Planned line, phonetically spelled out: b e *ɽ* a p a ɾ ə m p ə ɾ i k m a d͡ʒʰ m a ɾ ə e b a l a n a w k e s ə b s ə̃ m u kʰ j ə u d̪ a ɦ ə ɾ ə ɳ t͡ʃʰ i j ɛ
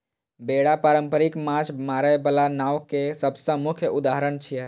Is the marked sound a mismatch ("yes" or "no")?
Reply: no